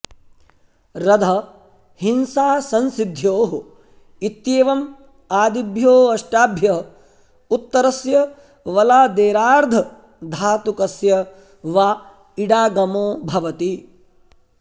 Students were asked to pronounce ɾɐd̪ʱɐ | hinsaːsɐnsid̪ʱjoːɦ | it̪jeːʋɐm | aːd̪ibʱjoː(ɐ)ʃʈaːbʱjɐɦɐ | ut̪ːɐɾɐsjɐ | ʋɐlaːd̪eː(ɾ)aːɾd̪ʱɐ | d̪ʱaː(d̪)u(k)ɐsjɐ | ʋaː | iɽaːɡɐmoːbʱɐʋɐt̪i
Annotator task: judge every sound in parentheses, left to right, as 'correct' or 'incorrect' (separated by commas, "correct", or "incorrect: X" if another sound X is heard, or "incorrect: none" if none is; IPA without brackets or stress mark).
correct, correct, incorrect: t̪, correct